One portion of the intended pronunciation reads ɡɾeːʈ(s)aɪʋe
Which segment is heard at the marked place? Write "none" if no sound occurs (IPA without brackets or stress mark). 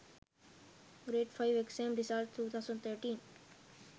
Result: f